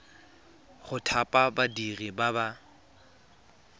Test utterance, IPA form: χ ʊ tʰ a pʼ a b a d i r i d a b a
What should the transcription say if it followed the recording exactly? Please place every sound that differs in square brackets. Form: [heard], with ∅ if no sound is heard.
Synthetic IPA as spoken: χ ʊ tʰ a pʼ a b a d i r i [b] a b a